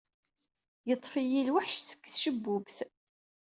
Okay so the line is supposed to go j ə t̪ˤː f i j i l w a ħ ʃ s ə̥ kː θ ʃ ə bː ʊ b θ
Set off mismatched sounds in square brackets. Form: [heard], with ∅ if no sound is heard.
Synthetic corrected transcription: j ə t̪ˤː f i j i l w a ħ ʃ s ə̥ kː θ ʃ ə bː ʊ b θ